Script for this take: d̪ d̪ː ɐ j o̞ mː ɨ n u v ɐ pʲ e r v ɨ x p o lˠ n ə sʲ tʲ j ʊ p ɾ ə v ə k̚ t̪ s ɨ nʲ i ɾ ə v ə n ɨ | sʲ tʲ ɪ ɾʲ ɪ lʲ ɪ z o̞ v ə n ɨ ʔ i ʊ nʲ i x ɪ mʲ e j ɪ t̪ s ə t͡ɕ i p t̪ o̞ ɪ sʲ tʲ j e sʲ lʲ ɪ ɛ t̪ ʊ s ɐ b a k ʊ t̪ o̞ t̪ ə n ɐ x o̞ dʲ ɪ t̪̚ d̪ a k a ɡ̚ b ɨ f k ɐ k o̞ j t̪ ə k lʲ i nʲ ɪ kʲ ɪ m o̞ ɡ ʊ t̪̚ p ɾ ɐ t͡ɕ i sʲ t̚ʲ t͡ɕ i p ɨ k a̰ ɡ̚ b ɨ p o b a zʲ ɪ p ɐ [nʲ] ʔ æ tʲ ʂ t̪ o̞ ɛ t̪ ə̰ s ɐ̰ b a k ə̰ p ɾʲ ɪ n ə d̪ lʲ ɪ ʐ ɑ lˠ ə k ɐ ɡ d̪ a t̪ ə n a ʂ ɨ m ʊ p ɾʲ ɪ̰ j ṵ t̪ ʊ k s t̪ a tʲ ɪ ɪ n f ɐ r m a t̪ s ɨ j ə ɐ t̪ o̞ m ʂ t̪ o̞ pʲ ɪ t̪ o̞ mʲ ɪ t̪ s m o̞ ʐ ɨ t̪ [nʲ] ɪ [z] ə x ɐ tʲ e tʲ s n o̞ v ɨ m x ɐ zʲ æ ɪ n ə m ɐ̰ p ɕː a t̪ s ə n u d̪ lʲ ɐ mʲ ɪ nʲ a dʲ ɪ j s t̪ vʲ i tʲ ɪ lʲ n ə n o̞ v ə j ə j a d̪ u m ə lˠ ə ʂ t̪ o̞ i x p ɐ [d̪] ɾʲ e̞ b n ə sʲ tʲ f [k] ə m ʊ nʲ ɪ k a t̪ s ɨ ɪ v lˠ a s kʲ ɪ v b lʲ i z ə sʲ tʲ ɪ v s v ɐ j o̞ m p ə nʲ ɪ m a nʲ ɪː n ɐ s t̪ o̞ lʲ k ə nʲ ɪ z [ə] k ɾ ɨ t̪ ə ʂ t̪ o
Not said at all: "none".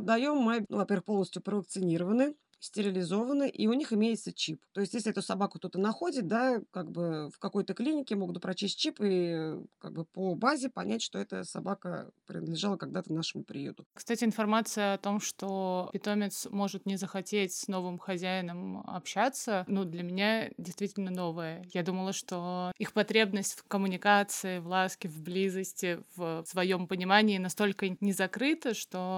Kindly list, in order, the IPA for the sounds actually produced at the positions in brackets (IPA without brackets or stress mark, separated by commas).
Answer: nʲ, nʲ, z, t̪, k, ɐ